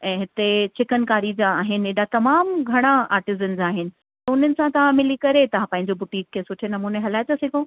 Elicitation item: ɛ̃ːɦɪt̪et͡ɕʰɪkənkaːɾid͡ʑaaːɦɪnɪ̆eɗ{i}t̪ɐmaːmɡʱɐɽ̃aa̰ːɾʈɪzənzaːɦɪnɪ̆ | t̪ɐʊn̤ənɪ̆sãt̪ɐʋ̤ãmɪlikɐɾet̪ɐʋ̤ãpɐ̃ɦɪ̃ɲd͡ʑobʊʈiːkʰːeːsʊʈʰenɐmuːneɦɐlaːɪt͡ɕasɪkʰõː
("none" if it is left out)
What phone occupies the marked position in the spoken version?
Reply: a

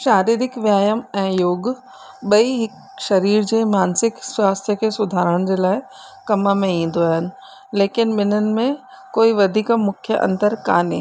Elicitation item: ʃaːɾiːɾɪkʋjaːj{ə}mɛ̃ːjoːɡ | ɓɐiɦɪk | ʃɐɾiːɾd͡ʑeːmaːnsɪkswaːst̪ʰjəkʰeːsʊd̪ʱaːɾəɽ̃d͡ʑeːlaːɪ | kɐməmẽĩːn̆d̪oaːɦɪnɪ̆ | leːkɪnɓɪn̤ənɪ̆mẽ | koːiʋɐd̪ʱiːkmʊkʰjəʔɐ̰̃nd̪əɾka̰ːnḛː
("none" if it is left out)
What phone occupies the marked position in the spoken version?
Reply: ə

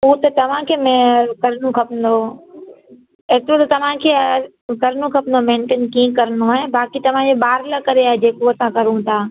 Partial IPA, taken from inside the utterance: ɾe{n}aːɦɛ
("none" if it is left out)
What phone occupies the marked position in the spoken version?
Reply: none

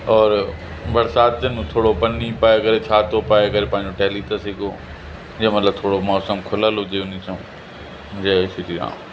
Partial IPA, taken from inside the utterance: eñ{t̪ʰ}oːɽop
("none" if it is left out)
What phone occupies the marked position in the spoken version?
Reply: t̪ʰ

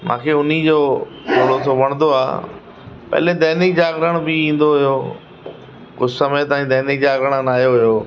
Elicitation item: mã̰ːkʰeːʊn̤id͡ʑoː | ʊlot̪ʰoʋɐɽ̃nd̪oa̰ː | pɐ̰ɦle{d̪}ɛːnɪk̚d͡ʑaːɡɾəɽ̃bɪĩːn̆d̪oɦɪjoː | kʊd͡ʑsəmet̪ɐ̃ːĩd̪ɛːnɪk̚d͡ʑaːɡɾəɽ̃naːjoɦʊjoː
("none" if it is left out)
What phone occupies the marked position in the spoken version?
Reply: d̪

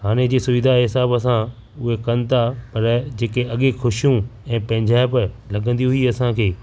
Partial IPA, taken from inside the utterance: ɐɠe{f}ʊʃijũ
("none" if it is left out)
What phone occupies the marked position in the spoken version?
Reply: x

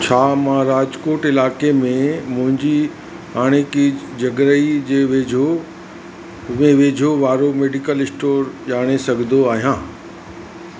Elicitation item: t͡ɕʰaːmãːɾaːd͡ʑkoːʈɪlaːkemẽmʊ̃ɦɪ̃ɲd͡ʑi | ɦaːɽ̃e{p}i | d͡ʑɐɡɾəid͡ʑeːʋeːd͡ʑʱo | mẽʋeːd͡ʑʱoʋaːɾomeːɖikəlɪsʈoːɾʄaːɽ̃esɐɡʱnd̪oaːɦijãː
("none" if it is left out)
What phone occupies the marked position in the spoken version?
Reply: k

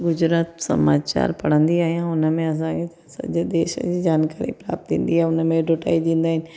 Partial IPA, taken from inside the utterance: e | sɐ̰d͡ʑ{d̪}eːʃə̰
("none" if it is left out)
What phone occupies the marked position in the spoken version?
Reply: d̪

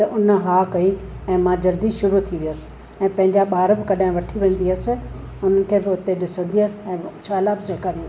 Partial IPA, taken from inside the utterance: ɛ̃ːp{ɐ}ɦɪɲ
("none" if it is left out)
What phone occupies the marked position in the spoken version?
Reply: ɐ̃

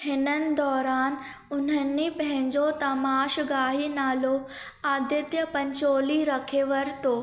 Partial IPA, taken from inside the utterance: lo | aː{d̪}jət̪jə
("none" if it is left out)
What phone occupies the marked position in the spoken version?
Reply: d̪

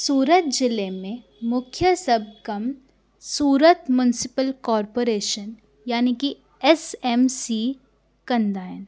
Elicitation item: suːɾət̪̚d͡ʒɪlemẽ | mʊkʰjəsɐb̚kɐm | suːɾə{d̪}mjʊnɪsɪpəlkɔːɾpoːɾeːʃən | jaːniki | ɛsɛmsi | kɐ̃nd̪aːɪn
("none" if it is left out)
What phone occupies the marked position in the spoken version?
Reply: t̪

